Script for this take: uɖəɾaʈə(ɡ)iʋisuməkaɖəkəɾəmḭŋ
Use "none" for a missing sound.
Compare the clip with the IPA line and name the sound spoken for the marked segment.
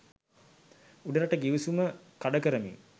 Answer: ɡ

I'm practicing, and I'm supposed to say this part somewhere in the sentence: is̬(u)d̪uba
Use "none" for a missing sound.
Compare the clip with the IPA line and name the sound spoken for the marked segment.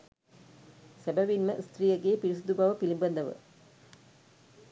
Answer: u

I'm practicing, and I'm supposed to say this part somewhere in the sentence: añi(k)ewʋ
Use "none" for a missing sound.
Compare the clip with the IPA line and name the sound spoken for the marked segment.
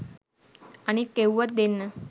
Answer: k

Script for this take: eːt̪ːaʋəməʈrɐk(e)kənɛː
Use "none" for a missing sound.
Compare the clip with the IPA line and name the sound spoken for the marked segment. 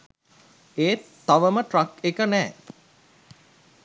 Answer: e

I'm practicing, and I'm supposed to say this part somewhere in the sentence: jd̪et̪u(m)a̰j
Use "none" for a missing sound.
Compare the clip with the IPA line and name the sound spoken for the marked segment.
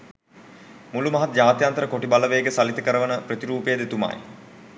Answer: m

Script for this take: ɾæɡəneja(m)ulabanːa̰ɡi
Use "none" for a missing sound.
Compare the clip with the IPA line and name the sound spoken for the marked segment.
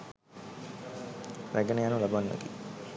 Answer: n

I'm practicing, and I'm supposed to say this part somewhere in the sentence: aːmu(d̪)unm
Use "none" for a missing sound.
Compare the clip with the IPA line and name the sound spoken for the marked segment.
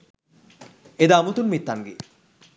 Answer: t̪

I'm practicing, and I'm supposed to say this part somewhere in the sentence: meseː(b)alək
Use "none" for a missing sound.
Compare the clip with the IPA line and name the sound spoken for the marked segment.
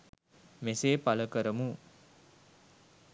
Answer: p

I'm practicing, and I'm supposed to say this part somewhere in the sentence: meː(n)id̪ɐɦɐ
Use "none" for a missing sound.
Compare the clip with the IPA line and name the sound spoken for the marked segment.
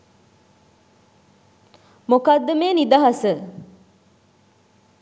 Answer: n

